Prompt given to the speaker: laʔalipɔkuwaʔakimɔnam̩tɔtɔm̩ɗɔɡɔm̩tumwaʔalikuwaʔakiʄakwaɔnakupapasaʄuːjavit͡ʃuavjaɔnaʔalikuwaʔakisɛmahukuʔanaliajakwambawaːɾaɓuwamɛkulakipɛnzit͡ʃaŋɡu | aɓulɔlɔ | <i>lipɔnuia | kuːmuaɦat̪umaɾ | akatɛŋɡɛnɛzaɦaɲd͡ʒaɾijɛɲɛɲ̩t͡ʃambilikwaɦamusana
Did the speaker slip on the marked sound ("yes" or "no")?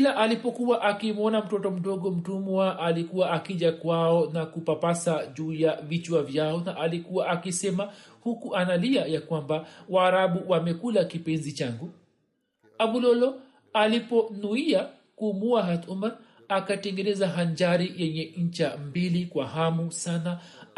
yes